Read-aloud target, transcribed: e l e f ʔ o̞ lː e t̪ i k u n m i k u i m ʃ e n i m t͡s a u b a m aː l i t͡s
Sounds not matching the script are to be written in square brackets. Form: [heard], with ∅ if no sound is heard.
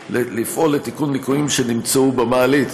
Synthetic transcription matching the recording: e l [i] f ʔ o̞ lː e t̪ i k u n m i k u i m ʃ e n i m t͡s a u b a m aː l i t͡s